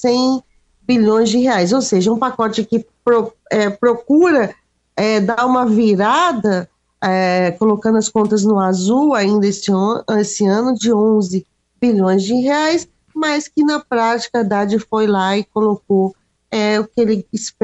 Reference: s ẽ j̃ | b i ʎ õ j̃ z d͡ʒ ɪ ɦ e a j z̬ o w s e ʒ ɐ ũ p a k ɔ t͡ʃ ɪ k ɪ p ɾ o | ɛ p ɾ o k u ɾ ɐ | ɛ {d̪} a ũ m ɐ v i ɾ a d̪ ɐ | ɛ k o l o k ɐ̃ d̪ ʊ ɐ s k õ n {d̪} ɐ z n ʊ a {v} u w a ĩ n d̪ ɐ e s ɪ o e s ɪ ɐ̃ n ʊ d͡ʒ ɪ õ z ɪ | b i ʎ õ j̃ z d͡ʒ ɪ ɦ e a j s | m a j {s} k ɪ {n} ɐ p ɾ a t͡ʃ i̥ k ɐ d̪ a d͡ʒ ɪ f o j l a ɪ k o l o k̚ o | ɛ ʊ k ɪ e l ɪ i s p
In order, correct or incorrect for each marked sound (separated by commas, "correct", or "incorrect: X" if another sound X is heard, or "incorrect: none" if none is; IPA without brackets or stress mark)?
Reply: correct, incorrect: t̪, incorrect: z, correct, correct